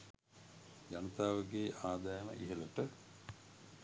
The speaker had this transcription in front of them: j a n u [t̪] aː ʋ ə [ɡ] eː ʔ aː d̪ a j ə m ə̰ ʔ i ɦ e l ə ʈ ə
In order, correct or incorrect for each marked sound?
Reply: correct, correct

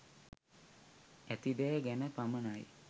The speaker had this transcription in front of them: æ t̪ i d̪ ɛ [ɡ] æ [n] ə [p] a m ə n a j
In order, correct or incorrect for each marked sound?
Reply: correct, correct, correct

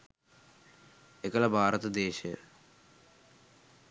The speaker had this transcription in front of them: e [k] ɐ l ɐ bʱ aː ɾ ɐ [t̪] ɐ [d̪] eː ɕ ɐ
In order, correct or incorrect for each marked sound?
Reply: correct, correct, correct

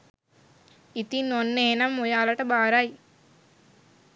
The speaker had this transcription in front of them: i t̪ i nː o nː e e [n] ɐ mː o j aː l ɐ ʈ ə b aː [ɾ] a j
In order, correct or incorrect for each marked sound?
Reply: correct, correct

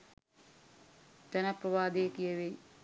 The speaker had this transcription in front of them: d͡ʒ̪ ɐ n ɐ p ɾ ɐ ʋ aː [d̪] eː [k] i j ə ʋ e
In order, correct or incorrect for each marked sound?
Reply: correct, correct

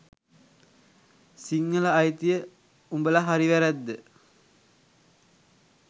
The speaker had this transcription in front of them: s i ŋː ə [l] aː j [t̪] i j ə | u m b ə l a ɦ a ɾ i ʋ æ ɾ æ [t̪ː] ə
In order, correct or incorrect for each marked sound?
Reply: correct, correct, incorrect: d̪ː

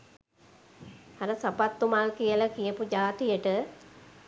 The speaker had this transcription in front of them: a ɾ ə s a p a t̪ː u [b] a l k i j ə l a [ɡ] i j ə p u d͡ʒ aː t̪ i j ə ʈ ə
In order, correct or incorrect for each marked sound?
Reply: incorrect: m, incorrect: k

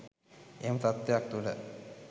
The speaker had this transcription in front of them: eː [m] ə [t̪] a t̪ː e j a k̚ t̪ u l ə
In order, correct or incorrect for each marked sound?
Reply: correct, correct

